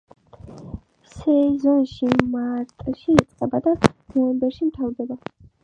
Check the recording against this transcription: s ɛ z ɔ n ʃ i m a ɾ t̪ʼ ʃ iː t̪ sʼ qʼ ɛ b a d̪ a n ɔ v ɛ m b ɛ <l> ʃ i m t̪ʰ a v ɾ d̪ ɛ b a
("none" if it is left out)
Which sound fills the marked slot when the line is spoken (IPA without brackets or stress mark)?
ɾ